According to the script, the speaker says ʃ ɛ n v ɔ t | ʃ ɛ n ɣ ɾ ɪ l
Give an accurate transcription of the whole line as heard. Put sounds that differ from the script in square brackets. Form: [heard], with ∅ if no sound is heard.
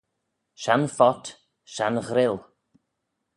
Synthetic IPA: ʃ [a] n [f] ɔ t | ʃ [a] n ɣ ɾ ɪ l